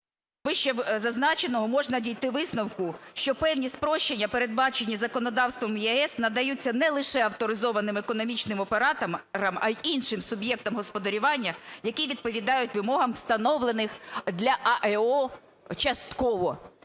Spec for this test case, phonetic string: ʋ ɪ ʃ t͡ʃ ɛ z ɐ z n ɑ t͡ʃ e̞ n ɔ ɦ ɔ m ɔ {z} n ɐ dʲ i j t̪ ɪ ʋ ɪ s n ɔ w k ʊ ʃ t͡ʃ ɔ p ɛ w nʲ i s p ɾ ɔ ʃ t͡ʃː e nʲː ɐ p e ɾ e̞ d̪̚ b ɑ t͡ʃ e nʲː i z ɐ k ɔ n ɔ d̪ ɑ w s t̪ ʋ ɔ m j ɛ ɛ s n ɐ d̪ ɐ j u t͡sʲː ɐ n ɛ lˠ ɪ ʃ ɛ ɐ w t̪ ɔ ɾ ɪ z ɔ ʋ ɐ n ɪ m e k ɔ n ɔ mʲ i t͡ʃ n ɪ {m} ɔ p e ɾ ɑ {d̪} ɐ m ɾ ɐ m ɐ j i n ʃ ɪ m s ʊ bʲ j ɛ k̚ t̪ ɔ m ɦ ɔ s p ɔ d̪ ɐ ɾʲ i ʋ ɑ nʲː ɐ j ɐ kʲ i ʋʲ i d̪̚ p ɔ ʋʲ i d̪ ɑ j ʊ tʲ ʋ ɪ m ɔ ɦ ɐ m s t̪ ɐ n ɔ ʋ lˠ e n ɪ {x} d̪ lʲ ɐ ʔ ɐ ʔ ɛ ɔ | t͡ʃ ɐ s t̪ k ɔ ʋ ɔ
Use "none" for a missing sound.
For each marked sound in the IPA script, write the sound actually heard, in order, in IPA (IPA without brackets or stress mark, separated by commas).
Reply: ʒ, m, t̪, x